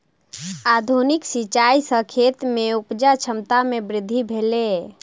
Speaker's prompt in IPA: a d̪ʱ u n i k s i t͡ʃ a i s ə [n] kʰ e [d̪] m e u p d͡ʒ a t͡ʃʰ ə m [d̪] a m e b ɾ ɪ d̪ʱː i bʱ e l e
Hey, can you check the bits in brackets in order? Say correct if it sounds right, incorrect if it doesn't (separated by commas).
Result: incorrect, incorrect, incorrect